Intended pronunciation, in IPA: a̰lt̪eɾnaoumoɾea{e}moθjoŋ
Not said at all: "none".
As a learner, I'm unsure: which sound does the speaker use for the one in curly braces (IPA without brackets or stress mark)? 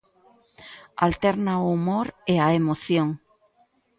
e